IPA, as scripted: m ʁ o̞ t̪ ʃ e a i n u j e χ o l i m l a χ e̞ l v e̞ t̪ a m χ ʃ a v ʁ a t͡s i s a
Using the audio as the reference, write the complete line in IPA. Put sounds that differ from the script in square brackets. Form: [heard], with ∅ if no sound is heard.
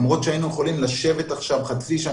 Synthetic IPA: m ʁ o̞ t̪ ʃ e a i n u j e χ o l i m l a [ʃ] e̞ [∅] v e̞ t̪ a [∅] χ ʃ a v [χ] a t͡s i [ʃ] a